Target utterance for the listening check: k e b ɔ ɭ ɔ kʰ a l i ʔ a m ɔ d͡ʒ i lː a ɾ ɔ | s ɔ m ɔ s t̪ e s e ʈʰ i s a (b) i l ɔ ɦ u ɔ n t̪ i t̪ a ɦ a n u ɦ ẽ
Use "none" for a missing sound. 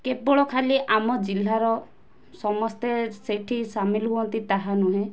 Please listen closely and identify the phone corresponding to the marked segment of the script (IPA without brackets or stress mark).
m